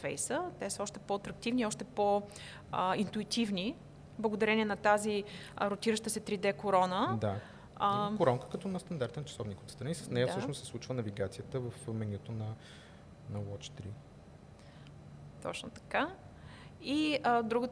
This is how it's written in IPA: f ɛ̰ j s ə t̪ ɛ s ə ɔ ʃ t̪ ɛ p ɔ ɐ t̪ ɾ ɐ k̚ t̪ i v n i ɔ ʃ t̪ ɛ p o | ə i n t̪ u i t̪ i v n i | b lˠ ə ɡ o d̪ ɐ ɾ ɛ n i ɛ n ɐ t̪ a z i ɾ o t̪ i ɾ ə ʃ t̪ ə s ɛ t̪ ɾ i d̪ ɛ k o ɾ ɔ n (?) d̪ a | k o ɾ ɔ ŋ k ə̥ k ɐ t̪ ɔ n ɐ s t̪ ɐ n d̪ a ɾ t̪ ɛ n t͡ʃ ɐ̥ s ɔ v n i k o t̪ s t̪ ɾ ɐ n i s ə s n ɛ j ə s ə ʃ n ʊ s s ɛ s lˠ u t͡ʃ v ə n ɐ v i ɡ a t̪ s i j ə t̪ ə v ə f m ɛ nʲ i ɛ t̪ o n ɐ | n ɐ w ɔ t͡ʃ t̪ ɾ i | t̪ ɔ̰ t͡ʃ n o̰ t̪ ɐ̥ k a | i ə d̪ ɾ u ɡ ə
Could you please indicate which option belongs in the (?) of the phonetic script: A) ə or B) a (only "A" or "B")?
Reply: A